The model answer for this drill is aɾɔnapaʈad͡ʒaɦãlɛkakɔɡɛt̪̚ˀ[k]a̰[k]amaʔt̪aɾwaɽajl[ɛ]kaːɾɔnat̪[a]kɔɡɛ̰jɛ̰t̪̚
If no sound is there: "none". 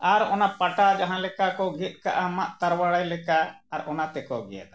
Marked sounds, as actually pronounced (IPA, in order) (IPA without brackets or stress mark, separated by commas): k, ʔ, ɛ, ɛ